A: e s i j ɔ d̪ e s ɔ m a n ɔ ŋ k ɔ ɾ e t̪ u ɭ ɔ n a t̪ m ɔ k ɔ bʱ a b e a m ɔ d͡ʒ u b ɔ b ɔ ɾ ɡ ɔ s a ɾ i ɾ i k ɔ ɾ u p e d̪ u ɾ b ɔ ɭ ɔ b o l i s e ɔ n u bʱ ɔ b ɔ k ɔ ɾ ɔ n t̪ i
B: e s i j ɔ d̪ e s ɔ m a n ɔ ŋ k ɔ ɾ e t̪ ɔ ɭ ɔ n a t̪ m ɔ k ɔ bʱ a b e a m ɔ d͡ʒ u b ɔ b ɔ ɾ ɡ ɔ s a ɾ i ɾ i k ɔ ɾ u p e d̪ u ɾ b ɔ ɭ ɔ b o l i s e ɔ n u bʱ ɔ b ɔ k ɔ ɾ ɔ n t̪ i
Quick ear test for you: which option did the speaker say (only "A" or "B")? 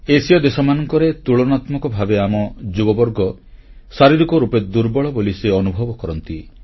A